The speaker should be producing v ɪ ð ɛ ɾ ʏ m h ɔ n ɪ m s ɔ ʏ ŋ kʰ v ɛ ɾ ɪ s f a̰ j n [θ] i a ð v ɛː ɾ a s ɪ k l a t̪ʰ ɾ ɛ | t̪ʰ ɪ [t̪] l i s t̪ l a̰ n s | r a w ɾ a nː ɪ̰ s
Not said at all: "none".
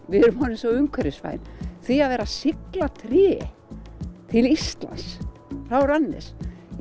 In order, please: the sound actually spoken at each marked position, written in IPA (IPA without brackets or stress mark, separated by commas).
θ, none